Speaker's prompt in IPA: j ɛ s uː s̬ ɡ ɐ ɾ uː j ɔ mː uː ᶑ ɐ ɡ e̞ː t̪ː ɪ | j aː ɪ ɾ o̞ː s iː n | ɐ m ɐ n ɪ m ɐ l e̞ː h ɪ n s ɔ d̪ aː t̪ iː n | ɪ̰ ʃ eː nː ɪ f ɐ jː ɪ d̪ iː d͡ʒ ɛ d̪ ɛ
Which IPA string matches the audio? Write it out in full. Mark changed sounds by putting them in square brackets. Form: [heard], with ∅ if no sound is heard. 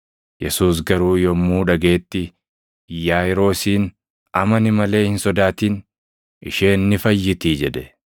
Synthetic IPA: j ɛ s uː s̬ ɡ ɐ ɾ uː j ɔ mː uː ᶑ ɐ ɡ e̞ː t̪ː ɪ | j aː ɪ ɾ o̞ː s iː n | ɐ m ɐ n ɪ m ɐ l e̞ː h ɪ n s ɔ d̪ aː t̪ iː n | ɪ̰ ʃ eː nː ɪ f ɐ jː ɪ [t̪] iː d͡ʒ ɛ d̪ ɛ